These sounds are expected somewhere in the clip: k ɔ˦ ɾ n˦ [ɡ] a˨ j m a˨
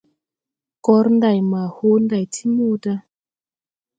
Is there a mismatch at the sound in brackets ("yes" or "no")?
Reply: yes